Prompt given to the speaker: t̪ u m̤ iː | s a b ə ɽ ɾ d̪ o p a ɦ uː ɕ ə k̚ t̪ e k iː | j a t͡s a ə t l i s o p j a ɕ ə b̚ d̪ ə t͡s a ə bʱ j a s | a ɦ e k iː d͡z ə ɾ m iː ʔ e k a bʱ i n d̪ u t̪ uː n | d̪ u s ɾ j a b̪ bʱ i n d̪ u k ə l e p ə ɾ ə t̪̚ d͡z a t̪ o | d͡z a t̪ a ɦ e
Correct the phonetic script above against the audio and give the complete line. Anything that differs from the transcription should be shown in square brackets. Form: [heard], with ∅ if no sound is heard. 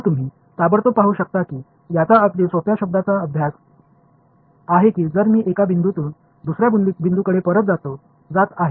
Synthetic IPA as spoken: t̪ u m̤ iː | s a b ə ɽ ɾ [t̪] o p a ɦ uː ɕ ə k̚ t̪ [a] k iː | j a t͡s a ə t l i s o p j a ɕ ə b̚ d̪ [a] t͡s a ə bʱ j a s | a ɦ e k iː d͡z ə ɾ m iː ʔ e k a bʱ i n d̪ u t̪ uː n | d̪ u s ɾ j a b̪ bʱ i n d̪ u k ə [ɽ] e p ə ɾ ə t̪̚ d͡z a t̪ o | d͡z a t̪ a ɦ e